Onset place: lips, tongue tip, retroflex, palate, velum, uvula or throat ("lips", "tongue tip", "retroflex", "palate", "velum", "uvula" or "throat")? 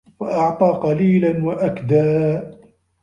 lips